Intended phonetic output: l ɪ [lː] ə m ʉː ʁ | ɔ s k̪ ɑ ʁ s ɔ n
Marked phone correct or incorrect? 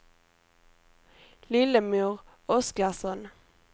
incorrect